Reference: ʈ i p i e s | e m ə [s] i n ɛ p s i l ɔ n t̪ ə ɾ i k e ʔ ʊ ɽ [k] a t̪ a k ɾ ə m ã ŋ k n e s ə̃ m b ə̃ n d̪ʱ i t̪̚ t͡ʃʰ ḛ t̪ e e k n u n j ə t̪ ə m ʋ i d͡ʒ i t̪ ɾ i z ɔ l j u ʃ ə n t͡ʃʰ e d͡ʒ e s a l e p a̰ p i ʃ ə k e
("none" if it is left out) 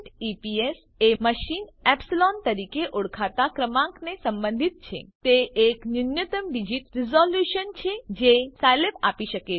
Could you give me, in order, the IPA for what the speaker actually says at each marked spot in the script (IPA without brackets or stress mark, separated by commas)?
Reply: ʃ, kʰ